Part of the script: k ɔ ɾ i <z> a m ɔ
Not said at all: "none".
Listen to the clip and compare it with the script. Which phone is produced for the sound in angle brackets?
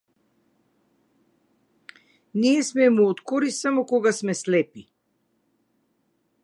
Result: s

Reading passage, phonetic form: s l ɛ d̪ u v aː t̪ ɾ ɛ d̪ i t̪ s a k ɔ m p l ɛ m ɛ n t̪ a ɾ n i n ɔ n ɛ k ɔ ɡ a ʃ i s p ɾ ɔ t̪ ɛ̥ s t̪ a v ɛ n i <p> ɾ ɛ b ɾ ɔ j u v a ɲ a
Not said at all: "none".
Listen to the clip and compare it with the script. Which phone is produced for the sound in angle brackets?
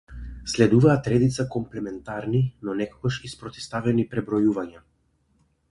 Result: p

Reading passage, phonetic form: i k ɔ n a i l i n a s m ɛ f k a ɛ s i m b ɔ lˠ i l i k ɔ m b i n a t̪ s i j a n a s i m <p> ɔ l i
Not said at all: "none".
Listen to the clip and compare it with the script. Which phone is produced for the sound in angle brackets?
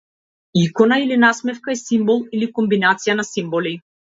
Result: b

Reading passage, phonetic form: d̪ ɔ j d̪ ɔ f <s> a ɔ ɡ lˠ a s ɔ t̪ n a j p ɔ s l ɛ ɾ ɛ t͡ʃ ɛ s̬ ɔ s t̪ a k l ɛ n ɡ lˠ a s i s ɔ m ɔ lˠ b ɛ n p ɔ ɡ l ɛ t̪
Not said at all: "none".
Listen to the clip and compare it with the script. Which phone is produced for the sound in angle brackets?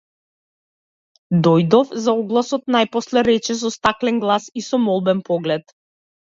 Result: z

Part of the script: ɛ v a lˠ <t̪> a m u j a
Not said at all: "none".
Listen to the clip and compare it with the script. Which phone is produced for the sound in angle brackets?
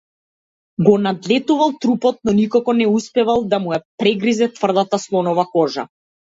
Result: d̪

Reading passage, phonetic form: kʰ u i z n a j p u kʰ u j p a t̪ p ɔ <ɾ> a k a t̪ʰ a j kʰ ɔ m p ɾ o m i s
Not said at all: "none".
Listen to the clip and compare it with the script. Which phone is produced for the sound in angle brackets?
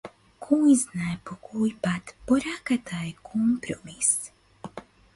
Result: ɾ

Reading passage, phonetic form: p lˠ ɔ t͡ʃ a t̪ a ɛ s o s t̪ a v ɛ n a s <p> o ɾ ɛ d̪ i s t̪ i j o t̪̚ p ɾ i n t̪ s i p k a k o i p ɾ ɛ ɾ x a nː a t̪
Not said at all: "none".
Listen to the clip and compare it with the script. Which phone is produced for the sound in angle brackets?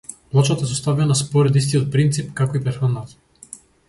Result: p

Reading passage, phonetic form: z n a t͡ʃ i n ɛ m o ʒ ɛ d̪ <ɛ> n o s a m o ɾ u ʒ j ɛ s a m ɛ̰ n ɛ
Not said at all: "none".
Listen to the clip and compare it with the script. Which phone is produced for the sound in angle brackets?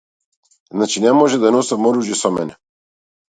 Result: a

